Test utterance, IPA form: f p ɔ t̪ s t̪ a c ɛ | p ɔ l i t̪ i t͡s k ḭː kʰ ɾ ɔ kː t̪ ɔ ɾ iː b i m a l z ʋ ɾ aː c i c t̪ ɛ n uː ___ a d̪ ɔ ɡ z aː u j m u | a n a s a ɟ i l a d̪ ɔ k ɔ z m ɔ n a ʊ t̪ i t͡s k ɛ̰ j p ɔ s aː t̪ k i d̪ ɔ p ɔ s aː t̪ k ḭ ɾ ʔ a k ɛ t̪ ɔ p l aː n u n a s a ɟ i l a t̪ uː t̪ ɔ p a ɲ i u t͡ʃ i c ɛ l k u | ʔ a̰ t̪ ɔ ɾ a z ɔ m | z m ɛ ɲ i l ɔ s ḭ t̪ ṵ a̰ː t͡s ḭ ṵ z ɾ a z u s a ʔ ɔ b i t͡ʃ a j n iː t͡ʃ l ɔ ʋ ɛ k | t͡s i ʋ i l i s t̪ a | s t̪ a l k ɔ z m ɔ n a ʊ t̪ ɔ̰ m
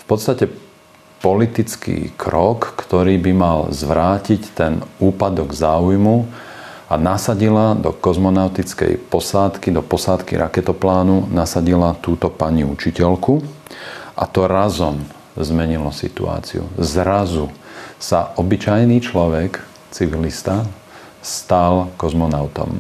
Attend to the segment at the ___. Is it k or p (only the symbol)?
p